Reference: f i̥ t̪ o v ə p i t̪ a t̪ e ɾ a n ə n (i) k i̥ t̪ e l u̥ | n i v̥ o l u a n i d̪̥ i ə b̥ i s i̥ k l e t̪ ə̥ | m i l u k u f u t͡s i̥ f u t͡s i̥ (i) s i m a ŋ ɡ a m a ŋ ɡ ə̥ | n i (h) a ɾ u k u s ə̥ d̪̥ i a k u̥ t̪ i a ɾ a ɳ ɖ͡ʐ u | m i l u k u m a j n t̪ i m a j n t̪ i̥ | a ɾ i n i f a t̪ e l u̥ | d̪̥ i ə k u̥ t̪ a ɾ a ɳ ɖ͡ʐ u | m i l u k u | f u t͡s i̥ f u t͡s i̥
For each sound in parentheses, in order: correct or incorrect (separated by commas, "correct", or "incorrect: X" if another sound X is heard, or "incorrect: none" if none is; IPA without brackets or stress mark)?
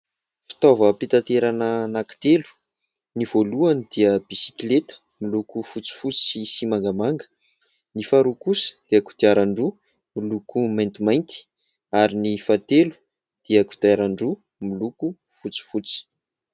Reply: incorrect: a, correct, incorrect: f